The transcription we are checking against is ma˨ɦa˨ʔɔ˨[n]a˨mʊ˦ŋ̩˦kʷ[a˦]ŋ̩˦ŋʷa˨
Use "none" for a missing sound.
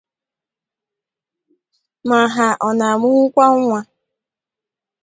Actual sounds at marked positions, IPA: n, a˦

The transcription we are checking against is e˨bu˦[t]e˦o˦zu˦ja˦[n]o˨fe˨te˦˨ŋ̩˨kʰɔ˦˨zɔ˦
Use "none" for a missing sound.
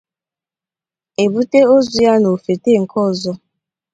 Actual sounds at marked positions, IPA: t, n

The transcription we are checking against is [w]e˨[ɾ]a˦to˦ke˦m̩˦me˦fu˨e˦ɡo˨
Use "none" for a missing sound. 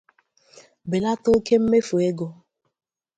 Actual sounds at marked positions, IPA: b, l

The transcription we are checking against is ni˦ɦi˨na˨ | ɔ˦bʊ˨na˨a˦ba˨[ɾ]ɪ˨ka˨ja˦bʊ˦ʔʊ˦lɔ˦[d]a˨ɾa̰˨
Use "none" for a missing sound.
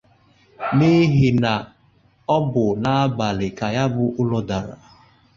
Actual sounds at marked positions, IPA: l, d

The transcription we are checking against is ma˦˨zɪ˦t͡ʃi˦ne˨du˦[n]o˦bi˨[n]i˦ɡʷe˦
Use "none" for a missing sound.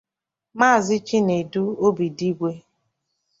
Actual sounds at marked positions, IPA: none, d

